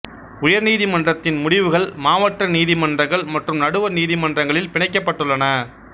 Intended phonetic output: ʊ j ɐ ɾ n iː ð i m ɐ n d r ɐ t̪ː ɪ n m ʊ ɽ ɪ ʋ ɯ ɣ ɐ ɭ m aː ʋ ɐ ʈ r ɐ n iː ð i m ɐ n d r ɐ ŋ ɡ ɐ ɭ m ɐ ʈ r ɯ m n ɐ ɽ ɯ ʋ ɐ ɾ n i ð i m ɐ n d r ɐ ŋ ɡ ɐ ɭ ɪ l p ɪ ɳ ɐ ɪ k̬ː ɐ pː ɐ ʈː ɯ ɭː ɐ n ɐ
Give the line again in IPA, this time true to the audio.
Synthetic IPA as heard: ʊ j ɐ ɾ n iː ð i m ɐ n d r ɐ t̪ː ɪ n m ʊ ɽ ɪ ʋ ɯ ɣ ɐ ɭ m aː ʋ ɐ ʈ r ɐ n iː ð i m ɐ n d r ɐ ŋ ɡ ɐ ɭ m ɐ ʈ r ɯ m n ɐ ɽ ɯ ʋ ɐ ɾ n iː ð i m ɐ n d r ɐ ŋ ɡ ɐ ɭ ɪ l p ɪ ɳ ɐ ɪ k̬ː ɐ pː ɐ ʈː ɯ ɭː ɐ n ɐ

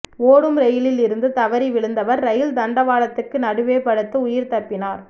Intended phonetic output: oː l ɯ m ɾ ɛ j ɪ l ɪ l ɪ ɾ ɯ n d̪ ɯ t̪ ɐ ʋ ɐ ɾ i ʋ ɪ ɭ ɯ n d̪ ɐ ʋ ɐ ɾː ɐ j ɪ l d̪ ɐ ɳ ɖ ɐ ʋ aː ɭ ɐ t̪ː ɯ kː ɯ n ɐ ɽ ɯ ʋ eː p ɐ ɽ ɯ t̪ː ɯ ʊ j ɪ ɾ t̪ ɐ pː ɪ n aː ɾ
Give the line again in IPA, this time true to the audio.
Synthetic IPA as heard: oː ɽ ɯ m ɾ ɛ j ɪ l ɪ l ɪ ɾ ɯ n d̪ ɯ t̪ ɐ ʋ ɐ ɾ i ʋ ɪ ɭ ɯ n d̪ ɐ ʋ ɐ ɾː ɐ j ɪ l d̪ ɐ ɳ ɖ ɐ ʋ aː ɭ ɐ t̪ː ɯ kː ɯ n ɐ ɽ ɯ ʋ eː p ɐ ɽ ɯ t̪ː ɯ ʊ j ɪ ɾ t̪ ɐ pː ɪ n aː ɾ

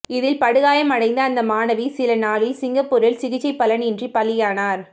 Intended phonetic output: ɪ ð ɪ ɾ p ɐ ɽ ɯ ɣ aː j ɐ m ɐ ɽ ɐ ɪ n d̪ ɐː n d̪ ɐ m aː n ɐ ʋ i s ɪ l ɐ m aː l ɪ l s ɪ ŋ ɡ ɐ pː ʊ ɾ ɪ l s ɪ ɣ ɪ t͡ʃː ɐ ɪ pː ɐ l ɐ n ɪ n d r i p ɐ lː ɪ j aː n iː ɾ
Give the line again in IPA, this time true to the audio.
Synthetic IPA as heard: ɪ ð ɪ l p ɐ ɽ ɯ ɣ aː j ɐ m ɐ ɽ ɐ ɪ n d̪ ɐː n d̪ ɐ m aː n ɐ ʋ i s ɪ l ɐ n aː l ɪ l s ɪ ŋ ɡ ɐ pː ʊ ɾ ɪ l s ɪ ɣ ɪ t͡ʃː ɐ ɪ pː ɐ l ɐ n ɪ n d r i p ɐ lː ɪ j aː n aː ɾ

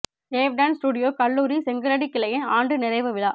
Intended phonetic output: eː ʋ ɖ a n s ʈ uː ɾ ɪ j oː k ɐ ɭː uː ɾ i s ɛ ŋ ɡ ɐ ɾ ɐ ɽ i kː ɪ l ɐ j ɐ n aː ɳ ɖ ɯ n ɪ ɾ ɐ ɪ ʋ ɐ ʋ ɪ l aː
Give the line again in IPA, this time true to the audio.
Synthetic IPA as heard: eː ʋ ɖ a n s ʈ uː ɽ ɪ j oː k ɐ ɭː uː ɾ i s ɛ ŋ ɡ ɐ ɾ ɐ ɽ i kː ɪ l ɐ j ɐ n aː ɳ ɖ ɯ n ɪ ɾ ɐ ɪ ʋ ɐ ʋ ɪ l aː

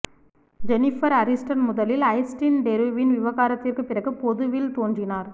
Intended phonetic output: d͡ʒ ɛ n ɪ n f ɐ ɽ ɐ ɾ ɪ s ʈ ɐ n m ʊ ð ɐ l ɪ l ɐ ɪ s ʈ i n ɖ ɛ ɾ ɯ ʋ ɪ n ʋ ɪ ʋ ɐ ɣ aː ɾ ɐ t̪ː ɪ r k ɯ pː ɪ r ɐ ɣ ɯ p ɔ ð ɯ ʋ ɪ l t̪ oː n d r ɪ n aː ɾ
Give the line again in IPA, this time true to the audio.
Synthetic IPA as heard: d͡ʒ ɛ n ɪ f ɐ ɾ ɐ ɾ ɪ s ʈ ɐ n m ʊ ð ɐ l ɪ l ɐ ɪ s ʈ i n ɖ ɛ ɾ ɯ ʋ ɪ n ʋ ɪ ʋ ɐ ɣ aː ɾ ɐ t̪ː ɪ r k ɯ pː ɪ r ɐ ɣ ɯ p ɔ ð ɯ ʋ ɪ l t̪ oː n d r ɪ n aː ɾ

